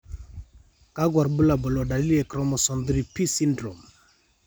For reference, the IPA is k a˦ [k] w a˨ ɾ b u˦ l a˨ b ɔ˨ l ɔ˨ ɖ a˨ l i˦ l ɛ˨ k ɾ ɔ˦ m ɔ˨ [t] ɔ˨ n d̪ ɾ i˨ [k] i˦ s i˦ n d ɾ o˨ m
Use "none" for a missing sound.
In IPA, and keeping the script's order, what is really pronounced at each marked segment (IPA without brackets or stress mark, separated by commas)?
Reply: ɡ, s, p